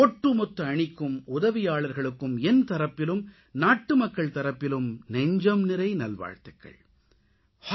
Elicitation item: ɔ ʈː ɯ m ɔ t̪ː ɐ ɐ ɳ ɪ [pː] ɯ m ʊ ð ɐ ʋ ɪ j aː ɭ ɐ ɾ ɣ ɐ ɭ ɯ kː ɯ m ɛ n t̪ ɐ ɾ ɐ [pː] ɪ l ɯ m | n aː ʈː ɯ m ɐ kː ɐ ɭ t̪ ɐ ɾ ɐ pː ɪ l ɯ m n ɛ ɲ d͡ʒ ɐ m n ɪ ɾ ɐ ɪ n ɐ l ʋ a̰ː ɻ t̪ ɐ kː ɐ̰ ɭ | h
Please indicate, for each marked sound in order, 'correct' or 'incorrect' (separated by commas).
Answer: incorrect, correct